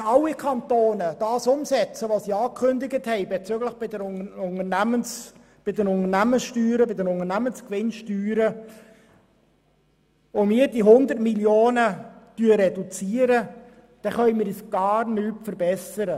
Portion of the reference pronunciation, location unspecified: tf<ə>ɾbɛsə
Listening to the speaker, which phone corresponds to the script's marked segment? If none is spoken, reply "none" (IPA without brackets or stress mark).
ə